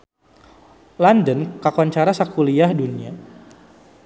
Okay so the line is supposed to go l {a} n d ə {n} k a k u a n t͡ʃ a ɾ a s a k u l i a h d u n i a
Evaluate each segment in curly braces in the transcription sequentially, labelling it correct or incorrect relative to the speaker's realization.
correct, correct

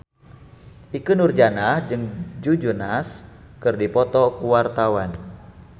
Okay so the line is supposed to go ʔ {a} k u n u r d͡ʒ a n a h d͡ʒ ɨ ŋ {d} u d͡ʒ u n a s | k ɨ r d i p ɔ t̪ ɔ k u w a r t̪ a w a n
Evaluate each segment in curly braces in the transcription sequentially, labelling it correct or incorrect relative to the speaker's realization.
incorrect: i, incorrect: d͡ʒ

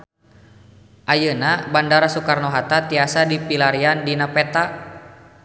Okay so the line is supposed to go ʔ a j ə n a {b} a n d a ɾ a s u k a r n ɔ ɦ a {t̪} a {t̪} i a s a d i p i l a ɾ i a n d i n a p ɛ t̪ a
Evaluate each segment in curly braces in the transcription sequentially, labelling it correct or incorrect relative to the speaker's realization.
correct, correct, correct

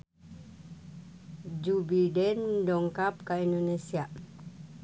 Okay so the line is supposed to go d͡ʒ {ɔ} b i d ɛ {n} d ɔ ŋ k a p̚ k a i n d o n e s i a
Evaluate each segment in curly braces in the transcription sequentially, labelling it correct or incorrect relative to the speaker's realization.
incorrect: u, correct

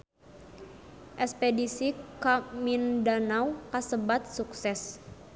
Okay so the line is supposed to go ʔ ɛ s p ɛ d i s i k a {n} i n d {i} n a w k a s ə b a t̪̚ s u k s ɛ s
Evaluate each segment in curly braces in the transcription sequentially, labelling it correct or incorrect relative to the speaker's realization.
incorrect: m, incorrect: a

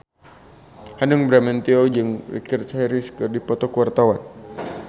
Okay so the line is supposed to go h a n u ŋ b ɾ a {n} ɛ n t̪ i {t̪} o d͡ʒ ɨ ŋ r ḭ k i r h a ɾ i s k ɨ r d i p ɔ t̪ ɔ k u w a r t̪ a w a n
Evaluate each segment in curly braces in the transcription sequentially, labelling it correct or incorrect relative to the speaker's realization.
incorrect: m, incorrect: none

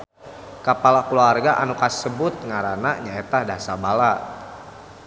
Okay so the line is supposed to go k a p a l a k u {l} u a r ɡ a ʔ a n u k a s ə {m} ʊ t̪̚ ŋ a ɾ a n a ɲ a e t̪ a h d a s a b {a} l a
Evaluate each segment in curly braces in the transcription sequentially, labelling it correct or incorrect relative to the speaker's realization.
correct, incorrect: b, correct

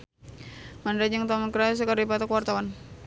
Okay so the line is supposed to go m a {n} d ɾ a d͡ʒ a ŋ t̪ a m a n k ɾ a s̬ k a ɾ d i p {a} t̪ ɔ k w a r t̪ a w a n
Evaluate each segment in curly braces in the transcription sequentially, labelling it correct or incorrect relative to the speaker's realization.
correct, correct

